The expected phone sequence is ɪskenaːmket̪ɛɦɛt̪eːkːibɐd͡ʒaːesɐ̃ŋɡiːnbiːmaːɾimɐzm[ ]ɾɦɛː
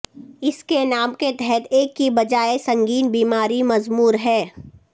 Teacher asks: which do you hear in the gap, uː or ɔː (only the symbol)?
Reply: uː